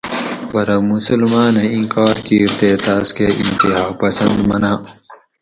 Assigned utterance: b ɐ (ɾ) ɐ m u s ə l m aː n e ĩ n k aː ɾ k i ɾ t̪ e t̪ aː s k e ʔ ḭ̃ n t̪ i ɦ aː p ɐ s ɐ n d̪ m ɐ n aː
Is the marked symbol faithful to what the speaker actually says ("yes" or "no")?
yes